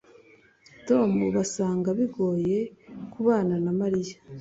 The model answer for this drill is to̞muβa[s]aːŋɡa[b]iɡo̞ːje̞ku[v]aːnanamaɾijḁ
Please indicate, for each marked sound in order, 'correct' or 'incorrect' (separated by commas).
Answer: correct, incorrect, incorrect